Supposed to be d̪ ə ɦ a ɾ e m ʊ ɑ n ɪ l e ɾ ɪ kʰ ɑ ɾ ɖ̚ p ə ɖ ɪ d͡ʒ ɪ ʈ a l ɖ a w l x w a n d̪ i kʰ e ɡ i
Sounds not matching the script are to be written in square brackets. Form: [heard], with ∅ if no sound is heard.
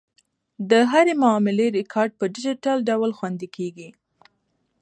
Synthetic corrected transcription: d̪ ə ɦ a ɾ e m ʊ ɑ [m] ɪ l e ɾ ɪ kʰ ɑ ɾ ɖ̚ p ə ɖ ɪ d͡ʒ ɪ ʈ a l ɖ a w l x w a n d̪ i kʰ e ɡ i